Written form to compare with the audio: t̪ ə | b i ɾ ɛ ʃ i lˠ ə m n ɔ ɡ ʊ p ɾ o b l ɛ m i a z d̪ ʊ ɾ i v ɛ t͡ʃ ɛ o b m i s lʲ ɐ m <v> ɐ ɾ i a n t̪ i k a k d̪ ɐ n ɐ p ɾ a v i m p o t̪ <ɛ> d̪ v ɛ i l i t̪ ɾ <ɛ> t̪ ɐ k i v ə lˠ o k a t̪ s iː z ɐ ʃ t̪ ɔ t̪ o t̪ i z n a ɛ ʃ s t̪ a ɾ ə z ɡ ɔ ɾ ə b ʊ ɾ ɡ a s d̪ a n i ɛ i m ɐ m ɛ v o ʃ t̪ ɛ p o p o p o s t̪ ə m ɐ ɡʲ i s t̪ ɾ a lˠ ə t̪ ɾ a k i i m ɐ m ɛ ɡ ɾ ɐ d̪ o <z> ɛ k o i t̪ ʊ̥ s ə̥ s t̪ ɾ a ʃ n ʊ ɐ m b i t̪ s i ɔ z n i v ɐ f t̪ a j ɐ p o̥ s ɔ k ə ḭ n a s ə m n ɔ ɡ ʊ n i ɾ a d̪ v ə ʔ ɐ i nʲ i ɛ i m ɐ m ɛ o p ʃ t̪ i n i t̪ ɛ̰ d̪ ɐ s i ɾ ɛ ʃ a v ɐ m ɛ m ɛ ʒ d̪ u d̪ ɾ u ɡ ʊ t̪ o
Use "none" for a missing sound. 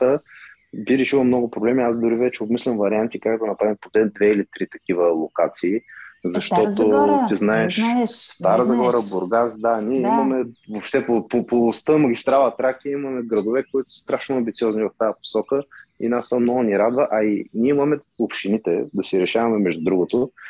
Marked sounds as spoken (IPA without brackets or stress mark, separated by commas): v, ɛ, i, v